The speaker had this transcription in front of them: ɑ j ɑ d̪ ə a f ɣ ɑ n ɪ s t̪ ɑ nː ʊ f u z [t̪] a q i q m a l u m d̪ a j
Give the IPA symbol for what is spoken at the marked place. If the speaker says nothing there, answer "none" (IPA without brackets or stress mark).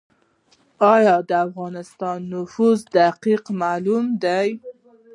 d̪